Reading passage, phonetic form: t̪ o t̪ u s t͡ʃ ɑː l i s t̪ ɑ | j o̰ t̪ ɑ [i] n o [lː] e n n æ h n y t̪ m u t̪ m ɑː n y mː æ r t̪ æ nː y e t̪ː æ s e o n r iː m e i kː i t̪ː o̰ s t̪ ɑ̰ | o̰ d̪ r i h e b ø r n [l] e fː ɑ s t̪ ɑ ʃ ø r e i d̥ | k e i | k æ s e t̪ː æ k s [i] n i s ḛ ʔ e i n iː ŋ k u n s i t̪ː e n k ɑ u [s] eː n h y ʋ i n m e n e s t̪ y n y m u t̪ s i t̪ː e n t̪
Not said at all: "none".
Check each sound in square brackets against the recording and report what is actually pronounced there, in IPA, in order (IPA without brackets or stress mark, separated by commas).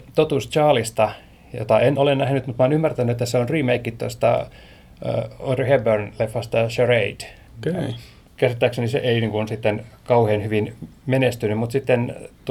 e, l, l, e, h